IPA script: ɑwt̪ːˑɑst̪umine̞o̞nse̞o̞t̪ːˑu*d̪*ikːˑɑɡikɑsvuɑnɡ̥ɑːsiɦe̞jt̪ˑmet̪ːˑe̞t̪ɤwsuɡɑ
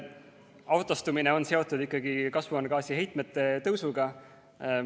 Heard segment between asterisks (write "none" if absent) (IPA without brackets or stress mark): d̪